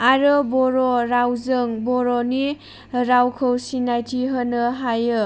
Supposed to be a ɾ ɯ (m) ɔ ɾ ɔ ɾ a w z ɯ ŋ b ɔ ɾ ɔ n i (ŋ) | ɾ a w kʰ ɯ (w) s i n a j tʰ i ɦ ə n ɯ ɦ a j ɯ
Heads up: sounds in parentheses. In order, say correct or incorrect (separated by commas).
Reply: incorrect, incorrect, correct